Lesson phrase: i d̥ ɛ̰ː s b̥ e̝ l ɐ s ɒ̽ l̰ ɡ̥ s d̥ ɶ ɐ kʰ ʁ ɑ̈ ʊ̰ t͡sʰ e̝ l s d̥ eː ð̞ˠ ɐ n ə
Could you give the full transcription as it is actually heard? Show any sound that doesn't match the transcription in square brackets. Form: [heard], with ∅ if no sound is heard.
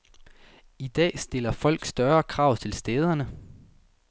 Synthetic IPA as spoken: i d̥ ɛ̰ː s [d̥] e̝ l ɐ [f] ɒ̽ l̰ ɡ̥ s d̥ ɶ ɐ kʰ ʁ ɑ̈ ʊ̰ t͡sʰ e̝ l s d̥ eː ð̞ˠ ɐ n ə